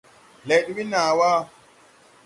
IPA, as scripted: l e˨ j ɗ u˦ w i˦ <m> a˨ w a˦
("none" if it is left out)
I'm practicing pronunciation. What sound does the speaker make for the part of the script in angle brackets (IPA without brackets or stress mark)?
n